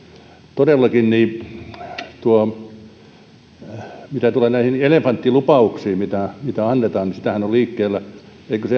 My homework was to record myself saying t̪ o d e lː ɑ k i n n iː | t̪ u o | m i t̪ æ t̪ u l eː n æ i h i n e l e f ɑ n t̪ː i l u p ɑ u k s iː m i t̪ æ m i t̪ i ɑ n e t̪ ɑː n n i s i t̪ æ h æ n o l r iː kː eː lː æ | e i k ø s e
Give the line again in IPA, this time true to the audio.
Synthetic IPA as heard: t̪ o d e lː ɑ k i n n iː | t̪ u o | m i t̪ æ t̪ u l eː n æ i h i n e l e f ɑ n t̪ː i l u p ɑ u k s iː m i t̪ æ m i t̪ æ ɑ nː e t̪ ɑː n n i s i t̪ æ h æ n o l l iː kː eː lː æ | e i k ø s e